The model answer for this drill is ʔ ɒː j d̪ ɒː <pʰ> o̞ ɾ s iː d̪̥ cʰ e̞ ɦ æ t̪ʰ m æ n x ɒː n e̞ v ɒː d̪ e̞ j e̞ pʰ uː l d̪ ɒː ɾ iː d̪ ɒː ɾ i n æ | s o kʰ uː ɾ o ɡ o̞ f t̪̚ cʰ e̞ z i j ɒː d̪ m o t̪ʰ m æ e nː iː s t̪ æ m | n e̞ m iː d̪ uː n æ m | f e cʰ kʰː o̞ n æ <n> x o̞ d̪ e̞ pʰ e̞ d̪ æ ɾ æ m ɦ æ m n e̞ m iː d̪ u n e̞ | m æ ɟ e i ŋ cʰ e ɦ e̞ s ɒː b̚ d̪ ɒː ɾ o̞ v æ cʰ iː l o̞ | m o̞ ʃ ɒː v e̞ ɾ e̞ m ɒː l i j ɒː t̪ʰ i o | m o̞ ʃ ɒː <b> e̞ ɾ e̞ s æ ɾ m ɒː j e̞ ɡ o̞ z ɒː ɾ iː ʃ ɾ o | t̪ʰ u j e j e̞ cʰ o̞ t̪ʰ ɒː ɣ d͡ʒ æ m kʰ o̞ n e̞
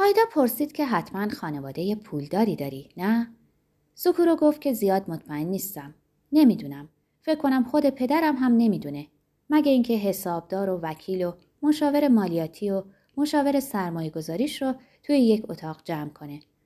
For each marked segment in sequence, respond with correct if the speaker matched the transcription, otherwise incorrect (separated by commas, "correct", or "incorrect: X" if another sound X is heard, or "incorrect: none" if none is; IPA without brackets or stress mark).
correct, incorrect: m, incorrect: v